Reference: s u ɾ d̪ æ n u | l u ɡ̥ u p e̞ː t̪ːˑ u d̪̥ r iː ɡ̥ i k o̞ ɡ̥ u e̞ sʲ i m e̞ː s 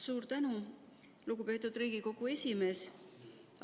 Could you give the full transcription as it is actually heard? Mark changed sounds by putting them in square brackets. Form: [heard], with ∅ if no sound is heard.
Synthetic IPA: s [uː] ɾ [t̪] æ n u | l u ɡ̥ u p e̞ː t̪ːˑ u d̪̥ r iː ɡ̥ i k o̞ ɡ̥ u e̞ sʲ i m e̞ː s

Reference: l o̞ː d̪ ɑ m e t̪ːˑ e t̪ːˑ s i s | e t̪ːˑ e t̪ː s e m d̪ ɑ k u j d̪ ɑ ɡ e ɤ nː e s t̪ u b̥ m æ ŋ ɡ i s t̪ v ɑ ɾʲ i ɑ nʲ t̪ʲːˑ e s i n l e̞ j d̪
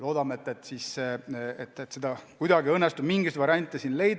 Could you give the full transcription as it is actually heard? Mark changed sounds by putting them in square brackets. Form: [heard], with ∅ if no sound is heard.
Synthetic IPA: l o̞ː d̪ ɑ m e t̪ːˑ e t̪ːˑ s i s | e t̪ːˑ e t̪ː s e [∅] d̪ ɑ k u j d̪ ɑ ɡ [i] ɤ nː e s t̪ u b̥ m [i] ŋ ɡ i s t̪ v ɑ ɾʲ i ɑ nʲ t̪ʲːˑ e s i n l e̞ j d̪

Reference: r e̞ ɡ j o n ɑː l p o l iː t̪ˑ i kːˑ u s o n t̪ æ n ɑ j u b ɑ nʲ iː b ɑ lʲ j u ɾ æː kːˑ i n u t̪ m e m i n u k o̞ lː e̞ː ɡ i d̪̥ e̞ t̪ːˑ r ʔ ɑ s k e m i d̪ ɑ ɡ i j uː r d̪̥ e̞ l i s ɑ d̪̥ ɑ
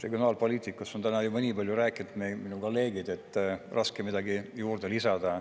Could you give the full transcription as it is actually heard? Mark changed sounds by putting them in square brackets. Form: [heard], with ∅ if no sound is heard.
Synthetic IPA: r e̞ ɡ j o n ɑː l p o l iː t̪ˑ i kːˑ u s o n t̪ æ n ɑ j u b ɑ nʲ iː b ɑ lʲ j u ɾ æː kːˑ i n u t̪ m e m i n u k o̞ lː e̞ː ɡ i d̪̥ e̞ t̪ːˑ r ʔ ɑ s k e m i d̪ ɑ ɡ i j uː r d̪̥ e̞ l i s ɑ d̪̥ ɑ

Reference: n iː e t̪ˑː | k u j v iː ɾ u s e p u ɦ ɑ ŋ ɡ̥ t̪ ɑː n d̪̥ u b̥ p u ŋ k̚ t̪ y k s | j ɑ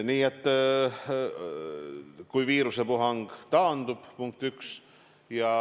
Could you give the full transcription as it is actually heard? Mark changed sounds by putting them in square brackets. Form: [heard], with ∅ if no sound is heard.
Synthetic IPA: n iː e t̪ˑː | k u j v iː ɾ u s e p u ɦ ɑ ŋ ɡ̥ t̪ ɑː n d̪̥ u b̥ p u ŋ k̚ t̪ y k s | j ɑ

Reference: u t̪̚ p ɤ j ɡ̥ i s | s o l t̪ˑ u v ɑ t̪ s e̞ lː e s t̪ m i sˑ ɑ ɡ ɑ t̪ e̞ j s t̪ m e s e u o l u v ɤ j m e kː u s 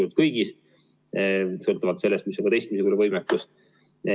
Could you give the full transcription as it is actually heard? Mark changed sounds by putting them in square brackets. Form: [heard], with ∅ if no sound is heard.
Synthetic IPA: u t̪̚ [k] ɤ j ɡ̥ i s | s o l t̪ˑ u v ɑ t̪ s e̞ lː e s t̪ m i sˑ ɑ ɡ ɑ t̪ e̞ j s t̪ m [i] s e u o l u v ɤ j m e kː u s

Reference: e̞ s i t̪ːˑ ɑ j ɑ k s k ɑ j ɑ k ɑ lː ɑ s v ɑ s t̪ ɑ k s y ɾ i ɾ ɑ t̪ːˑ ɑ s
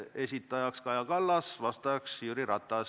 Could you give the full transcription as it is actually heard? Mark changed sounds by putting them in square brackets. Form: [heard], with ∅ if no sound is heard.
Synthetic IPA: e̞ s i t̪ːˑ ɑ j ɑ k s k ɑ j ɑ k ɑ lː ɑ s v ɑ s t̪ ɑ k s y ɾ i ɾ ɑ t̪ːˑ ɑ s

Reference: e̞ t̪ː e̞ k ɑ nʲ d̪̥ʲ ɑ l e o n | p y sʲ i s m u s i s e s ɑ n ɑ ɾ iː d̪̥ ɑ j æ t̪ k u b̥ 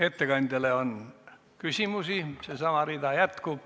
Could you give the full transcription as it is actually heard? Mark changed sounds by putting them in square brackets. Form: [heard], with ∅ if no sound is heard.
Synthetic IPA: e̞ t̪ː e̞ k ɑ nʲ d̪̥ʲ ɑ l e o n | [k] y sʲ i [∅] m u s i s e s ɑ [m] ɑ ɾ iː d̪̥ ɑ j æ t̪ k u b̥

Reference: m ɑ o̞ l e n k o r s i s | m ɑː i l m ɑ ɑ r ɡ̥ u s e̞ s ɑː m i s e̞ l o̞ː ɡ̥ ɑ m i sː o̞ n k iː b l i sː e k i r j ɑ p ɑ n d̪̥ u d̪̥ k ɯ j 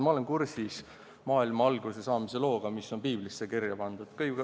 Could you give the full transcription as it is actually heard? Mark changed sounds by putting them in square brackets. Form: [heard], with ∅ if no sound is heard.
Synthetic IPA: m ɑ o̞ l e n k [u] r s i s | m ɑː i l m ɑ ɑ [l] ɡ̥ u s e̞ s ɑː m i s e̞ l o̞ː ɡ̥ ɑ m i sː o̞ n [p] iː b l i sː e k i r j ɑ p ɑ n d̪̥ u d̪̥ k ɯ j

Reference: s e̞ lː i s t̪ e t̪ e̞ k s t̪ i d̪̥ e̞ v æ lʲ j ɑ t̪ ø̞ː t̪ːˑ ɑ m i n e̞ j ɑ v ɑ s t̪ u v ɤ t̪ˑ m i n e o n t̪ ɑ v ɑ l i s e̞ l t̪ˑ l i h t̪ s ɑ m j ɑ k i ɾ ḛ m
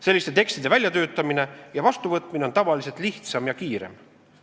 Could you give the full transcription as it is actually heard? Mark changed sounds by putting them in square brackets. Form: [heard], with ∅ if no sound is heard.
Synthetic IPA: s e̞ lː i s t̪ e t̪ e̞ k s t̪ i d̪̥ e̞ v æ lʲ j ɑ t̪ ø̞ː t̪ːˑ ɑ m i n e̞ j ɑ v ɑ s t̪ u v ɤ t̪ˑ m i n e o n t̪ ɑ v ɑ l i s e̞ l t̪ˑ l i h t̪ s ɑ m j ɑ k [iː] ɾ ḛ m

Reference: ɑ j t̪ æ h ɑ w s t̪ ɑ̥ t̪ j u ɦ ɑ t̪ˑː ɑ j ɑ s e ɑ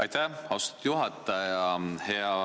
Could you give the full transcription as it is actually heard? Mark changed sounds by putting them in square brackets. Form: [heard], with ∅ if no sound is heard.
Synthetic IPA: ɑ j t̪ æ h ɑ w s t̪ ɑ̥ t̪ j u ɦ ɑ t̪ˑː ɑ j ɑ [h] e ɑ

